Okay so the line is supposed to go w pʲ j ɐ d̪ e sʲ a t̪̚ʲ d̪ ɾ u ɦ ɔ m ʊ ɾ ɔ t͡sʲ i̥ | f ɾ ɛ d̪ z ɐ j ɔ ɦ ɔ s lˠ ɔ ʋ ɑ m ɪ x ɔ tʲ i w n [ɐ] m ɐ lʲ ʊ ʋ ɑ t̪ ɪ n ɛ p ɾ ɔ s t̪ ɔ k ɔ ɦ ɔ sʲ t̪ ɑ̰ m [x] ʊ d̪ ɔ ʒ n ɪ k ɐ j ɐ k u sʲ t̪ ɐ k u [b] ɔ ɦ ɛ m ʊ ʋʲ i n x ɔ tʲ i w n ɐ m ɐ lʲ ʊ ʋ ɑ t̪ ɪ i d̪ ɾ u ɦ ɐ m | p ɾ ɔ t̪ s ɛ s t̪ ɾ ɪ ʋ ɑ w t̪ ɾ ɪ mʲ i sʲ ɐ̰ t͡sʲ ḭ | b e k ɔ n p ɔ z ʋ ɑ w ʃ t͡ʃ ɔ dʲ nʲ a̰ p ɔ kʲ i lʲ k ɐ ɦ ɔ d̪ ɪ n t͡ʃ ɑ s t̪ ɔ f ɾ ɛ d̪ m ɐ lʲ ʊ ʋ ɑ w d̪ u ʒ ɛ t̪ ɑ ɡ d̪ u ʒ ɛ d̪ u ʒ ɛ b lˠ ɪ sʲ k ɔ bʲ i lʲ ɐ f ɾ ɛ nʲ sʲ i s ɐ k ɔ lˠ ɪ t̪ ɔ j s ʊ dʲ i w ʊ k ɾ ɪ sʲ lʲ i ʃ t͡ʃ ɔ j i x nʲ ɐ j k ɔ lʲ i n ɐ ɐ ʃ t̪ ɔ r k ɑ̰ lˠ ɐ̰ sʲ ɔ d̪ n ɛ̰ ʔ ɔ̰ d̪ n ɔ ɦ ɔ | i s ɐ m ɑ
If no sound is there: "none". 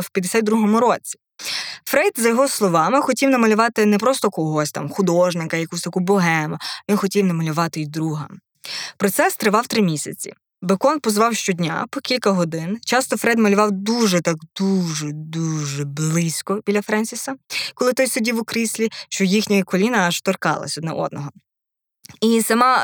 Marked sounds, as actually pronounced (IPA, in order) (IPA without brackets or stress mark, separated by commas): ɐ, x, b